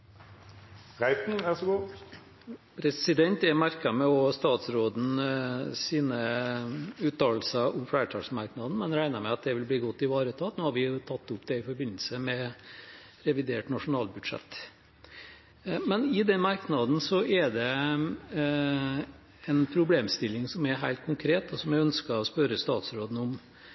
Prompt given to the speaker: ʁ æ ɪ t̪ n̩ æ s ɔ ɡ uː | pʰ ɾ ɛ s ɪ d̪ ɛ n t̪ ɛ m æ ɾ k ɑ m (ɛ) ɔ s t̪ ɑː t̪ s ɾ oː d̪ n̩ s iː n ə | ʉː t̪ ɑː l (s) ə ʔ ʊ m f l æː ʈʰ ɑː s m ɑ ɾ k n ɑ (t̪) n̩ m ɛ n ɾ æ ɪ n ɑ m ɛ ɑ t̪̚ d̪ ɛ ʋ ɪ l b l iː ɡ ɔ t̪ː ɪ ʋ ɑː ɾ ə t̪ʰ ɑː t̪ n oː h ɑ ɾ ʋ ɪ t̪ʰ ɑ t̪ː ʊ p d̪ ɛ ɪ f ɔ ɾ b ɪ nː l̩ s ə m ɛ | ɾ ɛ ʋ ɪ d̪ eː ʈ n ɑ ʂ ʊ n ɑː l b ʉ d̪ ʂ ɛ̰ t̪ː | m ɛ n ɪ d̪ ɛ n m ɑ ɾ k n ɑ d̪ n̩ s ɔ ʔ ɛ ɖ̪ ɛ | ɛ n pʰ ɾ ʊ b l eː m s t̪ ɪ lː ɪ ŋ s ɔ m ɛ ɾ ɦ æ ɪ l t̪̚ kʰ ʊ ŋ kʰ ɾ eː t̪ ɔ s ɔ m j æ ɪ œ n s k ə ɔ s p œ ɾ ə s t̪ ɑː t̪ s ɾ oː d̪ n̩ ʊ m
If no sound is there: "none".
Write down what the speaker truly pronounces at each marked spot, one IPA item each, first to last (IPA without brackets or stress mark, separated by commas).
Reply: ɛ, s, d̪